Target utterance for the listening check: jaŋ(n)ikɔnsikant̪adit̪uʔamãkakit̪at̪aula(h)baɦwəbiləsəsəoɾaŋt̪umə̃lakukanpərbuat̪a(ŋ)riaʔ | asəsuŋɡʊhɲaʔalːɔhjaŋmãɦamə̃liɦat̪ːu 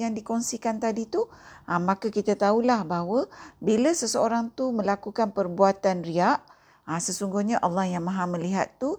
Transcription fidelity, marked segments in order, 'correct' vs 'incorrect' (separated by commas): incorrect, correct, incorrect